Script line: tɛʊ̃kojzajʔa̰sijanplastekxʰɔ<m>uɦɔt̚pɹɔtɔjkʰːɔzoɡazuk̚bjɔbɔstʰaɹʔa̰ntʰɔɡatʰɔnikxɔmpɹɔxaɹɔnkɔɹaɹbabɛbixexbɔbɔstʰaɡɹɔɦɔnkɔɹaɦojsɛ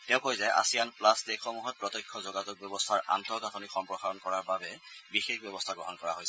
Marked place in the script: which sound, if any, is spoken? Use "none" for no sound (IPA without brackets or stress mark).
m